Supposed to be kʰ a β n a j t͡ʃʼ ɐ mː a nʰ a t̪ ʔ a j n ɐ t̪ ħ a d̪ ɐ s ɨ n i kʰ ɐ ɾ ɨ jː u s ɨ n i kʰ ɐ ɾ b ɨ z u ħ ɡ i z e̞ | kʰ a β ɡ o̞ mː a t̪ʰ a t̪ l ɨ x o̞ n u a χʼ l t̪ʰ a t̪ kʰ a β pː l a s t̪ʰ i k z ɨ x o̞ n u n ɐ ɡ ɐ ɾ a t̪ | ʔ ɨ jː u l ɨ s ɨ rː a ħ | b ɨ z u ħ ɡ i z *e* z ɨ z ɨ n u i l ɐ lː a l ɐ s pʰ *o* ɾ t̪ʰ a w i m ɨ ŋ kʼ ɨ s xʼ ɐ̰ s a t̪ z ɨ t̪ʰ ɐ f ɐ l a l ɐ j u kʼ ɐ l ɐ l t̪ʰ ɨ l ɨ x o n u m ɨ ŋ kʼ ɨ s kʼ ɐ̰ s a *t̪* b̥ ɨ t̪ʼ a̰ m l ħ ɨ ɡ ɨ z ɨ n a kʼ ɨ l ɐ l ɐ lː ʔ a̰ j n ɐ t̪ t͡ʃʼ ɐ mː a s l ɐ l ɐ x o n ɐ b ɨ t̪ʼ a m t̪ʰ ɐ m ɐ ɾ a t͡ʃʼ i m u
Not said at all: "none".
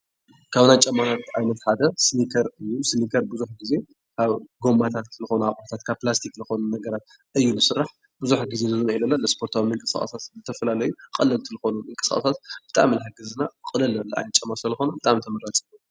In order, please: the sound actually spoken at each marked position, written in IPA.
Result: e, o, t̪

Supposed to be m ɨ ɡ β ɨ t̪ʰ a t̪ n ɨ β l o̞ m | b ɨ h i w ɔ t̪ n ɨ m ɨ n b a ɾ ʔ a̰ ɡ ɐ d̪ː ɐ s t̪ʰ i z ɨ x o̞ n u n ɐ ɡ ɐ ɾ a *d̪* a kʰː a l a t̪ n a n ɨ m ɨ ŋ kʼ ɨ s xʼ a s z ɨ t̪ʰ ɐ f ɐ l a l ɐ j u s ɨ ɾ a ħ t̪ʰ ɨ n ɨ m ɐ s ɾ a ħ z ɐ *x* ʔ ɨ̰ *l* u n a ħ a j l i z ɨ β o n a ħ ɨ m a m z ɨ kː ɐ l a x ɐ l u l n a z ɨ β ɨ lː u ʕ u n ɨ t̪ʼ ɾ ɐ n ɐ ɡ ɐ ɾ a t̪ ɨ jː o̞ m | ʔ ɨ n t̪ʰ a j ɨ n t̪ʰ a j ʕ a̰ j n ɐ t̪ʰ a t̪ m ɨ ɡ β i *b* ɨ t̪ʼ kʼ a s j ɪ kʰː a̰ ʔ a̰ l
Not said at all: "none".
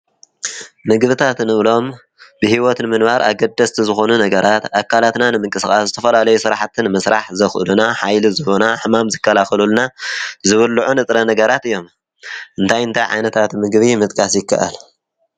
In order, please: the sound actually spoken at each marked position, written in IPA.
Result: t̪, x, l, m

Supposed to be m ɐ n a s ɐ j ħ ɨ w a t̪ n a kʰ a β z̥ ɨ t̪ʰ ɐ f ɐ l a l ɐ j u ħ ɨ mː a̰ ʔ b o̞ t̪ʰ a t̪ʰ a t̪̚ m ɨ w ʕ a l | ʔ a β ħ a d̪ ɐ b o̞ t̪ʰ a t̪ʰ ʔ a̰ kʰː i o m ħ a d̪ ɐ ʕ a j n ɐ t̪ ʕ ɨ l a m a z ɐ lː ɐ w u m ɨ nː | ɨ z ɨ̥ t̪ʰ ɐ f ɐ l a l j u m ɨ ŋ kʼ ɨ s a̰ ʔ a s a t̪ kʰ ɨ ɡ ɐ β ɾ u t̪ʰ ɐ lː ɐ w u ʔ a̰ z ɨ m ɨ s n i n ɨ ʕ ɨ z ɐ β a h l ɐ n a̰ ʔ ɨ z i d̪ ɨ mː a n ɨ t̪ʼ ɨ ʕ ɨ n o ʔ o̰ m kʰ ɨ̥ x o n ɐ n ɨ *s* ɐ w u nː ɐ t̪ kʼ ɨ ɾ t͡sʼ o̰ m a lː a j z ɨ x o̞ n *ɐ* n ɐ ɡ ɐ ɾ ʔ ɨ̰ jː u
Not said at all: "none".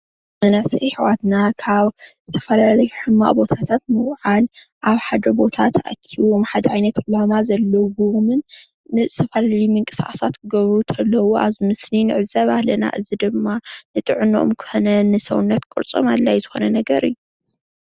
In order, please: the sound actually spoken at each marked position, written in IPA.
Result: s, ɐ

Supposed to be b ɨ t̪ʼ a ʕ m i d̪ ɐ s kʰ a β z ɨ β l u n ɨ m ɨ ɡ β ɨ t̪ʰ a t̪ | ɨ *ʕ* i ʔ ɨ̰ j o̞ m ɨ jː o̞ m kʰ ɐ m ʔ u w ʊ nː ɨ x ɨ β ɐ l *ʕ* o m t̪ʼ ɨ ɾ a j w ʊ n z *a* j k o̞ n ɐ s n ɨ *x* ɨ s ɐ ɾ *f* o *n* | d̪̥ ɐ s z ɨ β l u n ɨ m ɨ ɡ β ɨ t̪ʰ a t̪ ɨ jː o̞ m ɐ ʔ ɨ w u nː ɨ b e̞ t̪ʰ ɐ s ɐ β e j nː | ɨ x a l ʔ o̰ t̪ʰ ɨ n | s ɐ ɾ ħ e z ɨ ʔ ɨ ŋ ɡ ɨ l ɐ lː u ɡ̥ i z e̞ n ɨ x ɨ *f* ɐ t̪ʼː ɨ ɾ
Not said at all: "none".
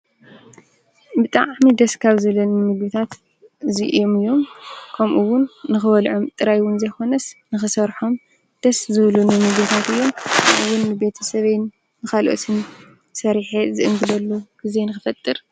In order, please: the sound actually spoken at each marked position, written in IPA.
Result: z, ʕ, ɐ, x, ħ, m, f

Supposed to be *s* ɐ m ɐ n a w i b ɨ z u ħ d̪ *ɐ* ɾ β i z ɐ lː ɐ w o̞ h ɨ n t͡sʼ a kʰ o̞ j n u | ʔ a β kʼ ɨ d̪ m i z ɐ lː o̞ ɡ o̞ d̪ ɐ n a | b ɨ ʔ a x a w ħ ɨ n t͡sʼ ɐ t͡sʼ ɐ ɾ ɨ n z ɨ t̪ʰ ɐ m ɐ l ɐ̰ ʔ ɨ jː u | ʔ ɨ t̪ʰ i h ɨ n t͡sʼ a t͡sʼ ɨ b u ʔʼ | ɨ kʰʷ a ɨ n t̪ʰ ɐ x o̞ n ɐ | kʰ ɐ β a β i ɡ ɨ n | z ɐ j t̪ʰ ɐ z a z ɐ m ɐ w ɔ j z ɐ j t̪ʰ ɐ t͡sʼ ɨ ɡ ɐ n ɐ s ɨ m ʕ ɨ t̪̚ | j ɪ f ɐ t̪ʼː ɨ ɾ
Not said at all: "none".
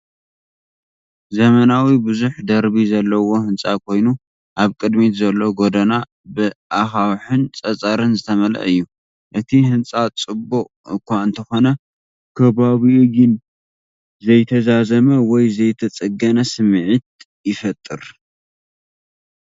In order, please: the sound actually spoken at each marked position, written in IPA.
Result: z, ɐ

